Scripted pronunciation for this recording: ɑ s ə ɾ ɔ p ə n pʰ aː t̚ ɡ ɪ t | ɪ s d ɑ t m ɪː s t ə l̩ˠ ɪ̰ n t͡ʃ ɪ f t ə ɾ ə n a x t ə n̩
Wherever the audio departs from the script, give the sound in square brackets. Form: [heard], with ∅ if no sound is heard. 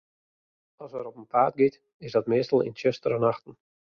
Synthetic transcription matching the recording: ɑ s ə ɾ ɔ p ə n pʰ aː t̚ ɡ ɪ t | ɪ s d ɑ t m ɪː s t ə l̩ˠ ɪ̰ n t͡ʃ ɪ [s] t ə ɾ ə n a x t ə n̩